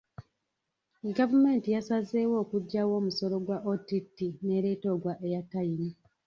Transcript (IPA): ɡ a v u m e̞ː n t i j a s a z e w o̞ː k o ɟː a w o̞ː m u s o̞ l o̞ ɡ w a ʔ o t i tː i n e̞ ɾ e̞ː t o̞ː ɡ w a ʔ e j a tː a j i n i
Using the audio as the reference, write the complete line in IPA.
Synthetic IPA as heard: ɡ a v u m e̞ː n t i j a s a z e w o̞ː k u ɟː a w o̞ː m u s o̞ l o̞ ɡ w a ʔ o t i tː i n e̞ ɾ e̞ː t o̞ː ɡ w a ʔ e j a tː a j i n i